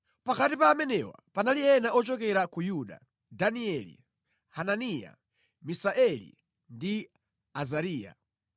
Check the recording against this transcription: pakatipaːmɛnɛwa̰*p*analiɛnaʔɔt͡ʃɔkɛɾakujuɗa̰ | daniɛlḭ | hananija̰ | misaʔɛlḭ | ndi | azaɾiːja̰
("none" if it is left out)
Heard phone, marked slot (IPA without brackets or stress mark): p